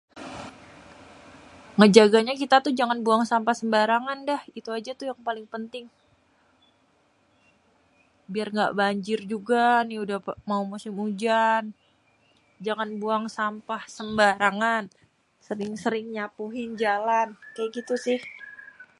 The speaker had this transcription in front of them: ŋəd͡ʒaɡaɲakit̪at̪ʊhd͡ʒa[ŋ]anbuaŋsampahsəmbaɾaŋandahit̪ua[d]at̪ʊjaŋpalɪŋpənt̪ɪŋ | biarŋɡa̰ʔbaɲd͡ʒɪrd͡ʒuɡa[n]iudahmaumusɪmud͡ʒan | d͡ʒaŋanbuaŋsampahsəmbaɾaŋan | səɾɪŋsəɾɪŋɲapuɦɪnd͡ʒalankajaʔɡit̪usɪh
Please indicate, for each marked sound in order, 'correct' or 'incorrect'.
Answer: correct, incorrect, correct

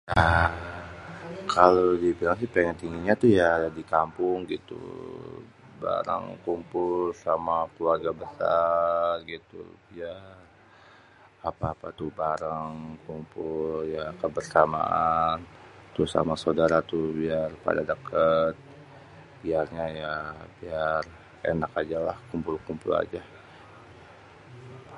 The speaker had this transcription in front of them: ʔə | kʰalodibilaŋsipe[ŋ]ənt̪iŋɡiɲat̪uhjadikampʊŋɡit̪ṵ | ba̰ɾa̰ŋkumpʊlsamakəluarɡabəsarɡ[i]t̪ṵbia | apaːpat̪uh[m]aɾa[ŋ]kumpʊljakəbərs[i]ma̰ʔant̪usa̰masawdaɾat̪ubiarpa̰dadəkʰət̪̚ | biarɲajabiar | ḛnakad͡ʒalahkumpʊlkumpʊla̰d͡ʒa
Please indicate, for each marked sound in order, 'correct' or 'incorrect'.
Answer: correct, correct, incorrect, correct, incorrect

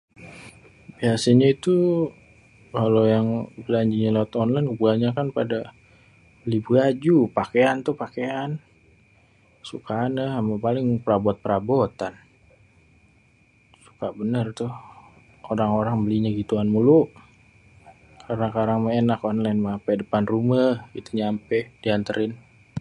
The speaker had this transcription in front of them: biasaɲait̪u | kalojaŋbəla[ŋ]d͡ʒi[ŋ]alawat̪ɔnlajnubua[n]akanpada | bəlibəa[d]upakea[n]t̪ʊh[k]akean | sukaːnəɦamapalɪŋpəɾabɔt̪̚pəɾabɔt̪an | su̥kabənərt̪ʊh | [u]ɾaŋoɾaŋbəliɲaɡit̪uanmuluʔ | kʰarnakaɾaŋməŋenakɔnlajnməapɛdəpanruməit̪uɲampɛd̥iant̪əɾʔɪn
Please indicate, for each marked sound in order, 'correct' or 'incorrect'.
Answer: incorrect, incorrect, incorrect, incorrect, correct, incorrect, incorrect

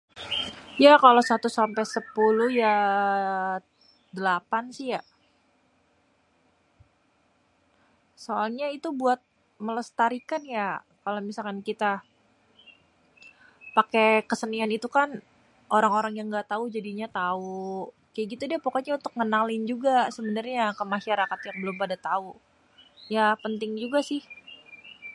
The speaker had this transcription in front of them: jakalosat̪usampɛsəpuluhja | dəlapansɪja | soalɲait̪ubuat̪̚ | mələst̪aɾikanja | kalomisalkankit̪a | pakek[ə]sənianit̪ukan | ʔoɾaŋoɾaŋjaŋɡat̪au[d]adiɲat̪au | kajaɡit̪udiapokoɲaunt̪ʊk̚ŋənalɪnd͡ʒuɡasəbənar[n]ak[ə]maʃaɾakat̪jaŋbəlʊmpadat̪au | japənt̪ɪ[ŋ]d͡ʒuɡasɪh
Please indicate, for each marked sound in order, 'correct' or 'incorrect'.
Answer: correct, incorrect, incorrect, correct, correct

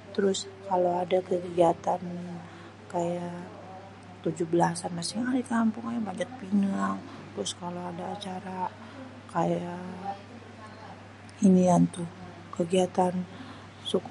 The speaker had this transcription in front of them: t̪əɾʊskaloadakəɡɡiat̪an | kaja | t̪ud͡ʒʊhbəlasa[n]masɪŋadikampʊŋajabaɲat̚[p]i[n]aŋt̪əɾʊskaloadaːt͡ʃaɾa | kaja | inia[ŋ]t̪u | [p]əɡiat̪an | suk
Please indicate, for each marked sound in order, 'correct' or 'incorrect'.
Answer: correct, correct, correct, incorrect, incorrect

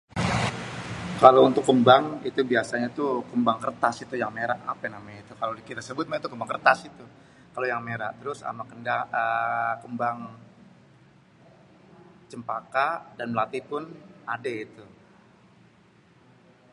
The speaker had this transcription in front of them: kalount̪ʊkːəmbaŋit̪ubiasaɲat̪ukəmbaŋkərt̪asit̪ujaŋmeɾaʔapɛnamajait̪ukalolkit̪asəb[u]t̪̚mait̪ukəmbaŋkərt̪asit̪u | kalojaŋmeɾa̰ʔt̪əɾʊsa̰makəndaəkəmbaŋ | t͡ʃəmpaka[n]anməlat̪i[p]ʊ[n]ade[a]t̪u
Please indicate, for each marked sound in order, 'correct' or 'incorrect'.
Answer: incorrect, incorrect, correct, correct, incorrect

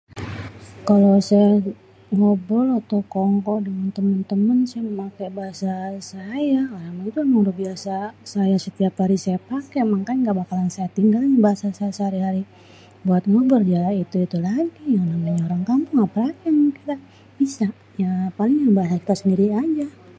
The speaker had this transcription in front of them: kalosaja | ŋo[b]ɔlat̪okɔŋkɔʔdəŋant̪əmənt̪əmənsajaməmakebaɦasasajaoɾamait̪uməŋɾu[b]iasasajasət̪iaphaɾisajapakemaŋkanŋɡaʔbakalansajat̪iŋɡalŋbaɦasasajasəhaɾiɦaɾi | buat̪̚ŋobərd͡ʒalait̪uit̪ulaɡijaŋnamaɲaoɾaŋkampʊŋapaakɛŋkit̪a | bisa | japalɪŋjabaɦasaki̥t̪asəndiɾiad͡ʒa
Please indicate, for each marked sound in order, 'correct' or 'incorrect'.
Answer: correct, correct

